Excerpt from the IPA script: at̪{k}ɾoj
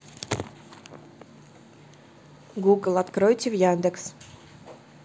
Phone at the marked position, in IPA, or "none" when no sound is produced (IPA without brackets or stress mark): k